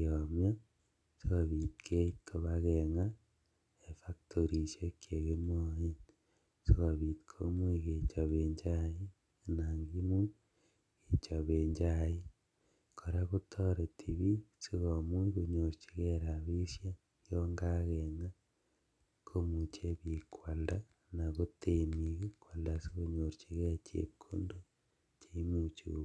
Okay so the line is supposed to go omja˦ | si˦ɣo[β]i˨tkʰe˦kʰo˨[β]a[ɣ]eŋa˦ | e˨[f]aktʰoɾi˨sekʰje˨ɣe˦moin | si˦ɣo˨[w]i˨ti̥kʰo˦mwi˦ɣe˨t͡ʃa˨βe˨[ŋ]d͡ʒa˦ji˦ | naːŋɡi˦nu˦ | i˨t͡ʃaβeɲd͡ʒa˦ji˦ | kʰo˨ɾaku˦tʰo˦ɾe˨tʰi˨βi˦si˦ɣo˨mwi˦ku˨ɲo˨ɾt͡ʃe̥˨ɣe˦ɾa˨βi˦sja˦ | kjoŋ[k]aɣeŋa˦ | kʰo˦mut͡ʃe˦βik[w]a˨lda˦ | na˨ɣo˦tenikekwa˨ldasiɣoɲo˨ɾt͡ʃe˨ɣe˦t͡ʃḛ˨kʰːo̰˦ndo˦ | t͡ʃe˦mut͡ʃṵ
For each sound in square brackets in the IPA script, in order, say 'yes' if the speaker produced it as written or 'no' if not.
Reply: yes, yes, yes, yes, no, no, no, yes

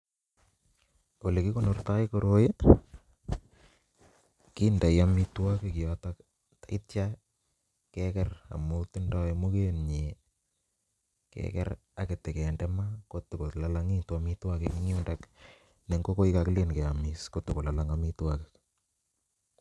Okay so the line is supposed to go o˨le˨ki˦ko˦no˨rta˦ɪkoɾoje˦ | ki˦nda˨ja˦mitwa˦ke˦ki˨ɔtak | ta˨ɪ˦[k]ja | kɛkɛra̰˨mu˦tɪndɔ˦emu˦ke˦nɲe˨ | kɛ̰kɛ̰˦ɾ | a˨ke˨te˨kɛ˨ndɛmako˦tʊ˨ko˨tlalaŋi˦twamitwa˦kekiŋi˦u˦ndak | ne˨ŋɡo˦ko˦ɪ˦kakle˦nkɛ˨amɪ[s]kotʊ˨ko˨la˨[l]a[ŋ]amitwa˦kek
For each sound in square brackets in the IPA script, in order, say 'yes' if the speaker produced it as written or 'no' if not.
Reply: no, yes, yes, yes

